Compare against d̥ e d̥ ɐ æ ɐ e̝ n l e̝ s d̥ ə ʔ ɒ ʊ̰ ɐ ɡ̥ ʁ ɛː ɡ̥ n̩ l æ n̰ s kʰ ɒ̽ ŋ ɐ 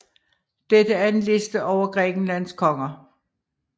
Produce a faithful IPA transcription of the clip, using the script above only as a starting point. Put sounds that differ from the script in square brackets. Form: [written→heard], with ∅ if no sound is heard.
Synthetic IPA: d̥ e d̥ [ɐ→ə] æ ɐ e̝ n l e̝ s d̥ ə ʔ ɒ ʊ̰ ɐ ɡ̥ ʁ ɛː ɡ̥ n̩ l æ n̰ s kʰ ɒ̽ ŋ ɐ